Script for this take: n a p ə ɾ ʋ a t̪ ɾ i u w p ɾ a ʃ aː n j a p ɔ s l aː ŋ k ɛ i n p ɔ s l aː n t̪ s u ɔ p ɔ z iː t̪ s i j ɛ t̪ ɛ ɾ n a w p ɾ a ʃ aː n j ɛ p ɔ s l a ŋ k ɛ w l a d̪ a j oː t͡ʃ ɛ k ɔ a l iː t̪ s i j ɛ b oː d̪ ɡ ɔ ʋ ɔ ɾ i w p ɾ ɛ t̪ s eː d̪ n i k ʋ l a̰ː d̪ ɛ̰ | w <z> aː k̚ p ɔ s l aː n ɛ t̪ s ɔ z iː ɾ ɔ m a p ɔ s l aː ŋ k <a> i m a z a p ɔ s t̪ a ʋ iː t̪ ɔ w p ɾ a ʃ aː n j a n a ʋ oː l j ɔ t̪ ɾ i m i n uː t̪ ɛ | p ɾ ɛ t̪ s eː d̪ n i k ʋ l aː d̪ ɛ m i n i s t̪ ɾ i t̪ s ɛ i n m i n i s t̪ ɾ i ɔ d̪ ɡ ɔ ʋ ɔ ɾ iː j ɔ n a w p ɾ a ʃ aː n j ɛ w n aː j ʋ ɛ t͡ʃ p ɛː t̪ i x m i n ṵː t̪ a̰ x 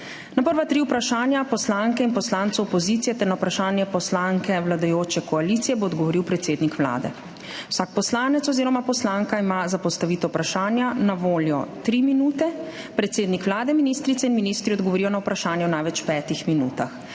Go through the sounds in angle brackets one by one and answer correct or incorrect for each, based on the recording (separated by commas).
incorrect, correct